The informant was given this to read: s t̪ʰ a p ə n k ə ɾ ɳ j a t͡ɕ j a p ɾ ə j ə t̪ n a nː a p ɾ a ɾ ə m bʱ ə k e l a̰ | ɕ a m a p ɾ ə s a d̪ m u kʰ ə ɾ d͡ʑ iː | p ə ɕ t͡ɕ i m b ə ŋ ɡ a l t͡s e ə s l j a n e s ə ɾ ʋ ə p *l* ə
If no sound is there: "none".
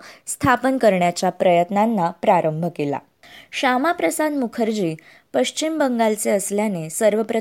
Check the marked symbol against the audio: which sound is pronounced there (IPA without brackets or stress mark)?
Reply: ɾ